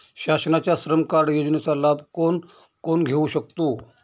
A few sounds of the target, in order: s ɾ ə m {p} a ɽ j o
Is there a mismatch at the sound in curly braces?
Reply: yes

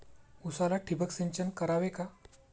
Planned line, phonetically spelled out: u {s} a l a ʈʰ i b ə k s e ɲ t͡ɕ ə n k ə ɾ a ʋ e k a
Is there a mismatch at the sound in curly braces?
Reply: no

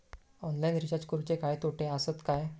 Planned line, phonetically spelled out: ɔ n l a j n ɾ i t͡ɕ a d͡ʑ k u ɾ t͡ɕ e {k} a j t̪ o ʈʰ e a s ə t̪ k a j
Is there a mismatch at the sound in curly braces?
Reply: no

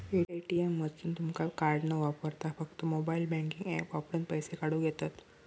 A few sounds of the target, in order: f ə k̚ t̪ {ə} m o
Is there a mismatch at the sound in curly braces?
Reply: no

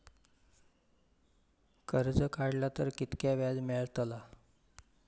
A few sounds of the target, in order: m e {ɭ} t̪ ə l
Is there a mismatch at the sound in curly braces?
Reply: no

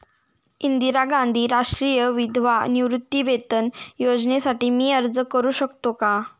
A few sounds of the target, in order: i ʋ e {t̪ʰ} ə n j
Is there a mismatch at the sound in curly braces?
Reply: yes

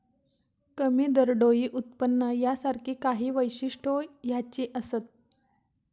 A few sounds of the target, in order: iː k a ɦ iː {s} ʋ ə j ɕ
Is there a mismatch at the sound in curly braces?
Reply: yes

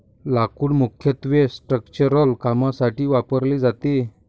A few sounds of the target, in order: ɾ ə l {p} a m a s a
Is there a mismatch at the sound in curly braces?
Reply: yes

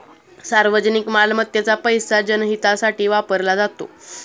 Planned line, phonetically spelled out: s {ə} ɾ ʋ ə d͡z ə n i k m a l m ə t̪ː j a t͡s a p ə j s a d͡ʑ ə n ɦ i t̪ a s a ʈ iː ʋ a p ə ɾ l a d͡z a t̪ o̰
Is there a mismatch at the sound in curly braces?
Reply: yes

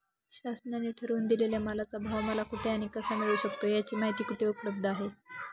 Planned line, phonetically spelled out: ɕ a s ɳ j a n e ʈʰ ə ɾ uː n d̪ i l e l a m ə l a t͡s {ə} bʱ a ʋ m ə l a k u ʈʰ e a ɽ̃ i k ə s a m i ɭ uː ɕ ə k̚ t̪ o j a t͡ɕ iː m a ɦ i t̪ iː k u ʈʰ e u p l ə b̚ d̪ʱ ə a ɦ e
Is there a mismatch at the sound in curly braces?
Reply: yes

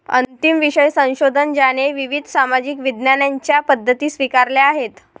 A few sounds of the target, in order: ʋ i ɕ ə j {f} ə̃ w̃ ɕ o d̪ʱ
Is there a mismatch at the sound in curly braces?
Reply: yes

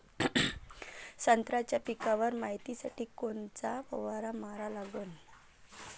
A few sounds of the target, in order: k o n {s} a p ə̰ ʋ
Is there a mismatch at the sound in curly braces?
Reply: yes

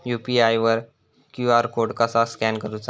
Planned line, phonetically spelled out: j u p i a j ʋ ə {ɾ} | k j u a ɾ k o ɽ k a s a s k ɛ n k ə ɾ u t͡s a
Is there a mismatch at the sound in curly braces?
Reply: no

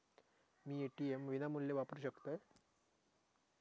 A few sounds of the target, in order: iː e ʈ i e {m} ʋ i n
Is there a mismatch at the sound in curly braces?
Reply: no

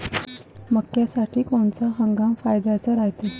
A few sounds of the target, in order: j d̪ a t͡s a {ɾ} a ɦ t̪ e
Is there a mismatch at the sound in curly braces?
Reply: no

